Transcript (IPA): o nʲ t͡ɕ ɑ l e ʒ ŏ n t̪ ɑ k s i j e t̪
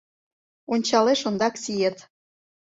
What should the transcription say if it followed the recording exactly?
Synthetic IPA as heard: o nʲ t͡ɕ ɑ l e ʃ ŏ n d̪ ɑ k s i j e t̪

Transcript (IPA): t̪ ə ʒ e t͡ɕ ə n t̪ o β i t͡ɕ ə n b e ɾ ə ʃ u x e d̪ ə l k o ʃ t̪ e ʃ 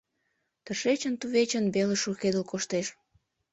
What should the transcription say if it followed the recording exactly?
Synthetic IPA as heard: t̪ ə ʃ e t͡ɕ ə n t̪ u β e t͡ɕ ə n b e l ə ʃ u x e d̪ ə l k o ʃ t̪ e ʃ

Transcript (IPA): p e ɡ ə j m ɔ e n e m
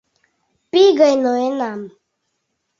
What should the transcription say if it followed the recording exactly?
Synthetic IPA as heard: p i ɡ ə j n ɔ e n a m

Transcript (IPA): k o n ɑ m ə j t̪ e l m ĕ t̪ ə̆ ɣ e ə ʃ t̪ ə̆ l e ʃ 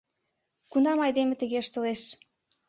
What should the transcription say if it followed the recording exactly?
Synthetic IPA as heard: k u n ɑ m ɑ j d̪ e m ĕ t̪ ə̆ ɣ e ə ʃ t̪ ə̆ l e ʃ

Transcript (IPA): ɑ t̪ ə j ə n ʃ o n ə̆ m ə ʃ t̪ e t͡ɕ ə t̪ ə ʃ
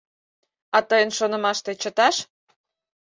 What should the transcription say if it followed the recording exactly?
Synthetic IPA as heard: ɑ t̪ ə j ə n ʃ o n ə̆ m ɑ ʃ t̪ e t͡ɕ ə t̪ ɑ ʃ

